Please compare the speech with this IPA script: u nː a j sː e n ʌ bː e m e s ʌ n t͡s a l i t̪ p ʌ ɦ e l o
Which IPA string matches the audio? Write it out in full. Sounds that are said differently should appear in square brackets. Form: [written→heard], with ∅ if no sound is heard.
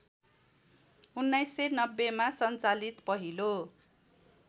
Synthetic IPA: u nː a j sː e n ʌ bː e m [e→a] s ʌ n t͡s a l i t̪ p ʌ ɦ [e→i] l o